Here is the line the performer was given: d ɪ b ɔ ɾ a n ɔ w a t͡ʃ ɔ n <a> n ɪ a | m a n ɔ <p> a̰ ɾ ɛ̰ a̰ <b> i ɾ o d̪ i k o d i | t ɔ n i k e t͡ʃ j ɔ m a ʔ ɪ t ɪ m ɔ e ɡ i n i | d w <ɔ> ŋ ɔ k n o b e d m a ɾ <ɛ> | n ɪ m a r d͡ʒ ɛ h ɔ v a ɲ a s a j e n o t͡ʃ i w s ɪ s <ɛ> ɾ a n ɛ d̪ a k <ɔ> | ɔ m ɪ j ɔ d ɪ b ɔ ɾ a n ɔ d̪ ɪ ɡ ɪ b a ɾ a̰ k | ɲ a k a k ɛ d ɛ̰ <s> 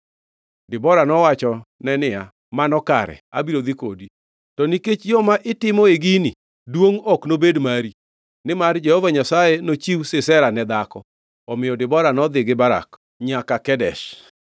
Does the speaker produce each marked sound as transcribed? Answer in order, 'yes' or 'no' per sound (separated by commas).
no, no, yes, no, no, yes, yes, no